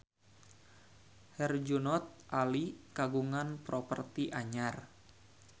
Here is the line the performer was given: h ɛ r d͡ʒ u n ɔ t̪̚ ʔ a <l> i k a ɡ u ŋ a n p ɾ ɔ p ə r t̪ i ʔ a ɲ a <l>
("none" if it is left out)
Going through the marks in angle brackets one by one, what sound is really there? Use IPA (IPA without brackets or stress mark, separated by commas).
l, r